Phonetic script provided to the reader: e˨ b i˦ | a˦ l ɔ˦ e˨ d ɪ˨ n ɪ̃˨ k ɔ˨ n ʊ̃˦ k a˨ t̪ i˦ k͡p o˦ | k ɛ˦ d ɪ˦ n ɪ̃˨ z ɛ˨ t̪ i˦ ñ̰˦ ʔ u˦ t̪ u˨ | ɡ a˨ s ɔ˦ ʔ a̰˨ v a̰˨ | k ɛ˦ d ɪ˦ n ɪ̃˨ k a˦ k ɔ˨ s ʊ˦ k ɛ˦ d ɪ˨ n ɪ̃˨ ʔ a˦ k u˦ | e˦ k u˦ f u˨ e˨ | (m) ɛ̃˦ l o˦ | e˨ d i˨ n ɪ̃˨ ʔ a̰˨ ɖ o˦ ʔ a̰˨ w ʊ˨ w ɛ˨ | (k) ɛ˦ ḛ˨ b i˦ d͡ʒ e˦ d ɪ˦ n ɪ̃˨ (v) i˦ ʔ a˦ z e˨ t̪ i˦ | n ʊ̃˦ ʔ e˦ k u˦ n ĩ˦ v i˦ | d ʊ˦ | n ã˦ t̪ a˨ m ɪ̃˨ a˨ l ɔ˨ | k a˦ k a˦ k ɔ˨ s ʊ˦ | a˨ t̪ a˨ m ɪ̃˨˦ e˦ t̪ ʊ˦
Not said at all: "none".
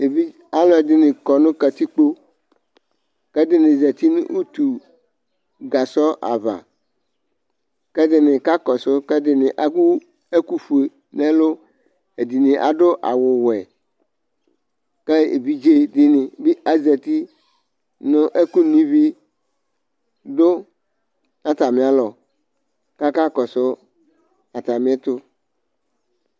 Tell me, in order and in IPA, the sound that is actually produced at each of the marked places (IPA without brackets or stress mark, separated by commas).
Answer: n, k, b